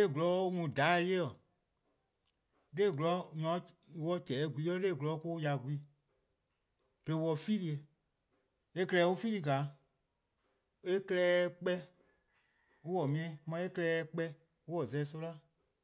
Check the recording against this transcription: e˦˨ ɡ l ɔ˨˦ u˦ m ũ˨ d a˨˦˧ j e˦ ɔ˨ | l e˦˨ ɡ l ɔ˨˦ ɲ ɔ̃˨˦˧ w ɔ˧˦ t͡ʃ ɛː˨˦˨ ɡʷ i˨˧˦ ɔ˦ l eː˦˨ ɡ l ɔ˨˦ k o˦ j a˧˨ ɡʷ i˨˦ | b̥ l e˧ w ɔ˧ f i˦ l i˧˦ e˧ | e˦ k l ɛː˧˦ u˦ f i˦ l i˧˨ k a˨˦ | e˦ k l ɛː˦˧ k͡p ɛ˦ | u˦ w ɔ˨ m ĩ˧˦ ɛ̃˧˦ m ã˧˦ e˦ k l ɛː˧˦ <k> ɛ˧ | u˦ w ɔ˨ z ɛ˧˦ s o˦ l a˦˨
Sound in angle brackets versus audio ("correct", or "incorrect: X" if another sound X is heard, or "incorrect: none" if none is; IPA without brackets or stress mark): incorrect: k͡p